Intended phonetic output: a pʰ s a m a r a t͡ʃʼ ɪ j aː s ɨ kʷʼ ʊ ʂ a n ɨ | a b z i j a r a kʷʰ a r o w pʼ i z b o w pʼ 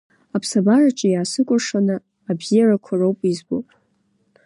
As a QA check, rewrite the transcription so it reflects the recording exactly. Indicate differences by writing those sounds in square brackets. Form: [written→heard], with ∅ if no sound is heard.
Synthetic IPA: a pʰ s a [m→b] a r a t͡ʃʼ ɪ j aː s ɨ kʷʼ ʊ ʂ a n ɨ | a b z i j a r a kʷʰ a r o w pʼ i z b o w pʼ